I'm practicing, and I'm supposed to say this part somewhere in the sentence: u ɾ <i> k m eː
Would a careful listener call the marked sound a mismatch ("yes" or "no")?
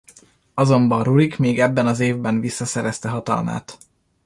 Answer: no